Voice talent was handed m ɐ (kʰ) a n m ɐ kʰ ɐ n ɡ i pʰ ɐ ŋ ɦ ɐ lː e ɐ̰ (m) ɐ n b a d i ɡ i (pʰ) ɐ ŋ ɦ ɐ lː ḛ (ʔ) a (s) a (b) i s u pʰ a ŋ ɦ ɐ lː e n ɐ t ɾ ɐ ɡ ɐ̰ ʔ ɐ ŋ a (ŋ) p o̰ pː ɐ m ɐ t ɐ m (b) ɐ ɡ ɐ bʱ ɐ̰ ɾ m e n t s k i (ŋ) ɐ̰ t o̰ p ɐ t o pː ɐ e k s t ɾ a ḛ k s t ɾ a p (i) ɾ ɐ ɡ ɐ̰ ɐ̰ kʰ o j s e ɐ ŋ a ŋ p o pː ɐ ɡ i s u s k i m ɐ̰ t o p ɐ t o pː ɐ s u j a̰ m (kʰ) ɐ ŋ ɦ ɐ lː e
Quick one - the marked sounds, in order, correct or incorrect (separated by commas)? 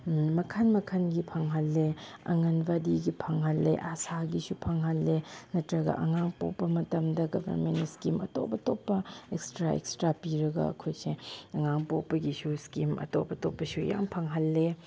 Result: correct, incorrect, correct, correct, correct, incorrect, correct, incorrect, incorrect, correct, incorrect